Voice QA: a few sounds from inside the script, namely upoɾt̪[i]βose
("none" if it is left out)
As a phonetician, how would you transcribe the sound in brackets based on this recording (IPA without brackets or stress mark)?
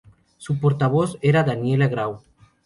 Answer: a